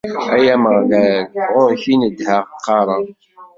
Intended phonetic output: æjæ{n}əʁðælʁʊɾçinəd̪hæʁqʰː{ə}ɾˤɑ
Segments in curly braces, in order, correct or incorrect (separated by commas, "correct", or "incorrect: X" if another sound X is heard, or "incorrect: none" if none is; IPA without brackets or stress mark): incorrect: m, incorrect: ɑ